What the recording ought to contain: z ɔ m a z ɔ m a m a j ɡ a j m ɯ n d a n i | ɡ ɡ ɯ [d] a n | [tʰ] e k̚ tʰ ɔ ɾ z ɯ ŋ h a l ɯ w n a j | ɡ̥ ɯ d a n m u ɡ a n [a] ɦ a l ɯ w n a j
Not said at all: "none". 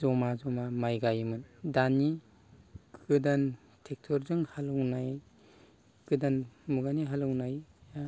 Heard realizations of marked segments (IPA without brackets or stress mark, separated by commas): d, tʰ, i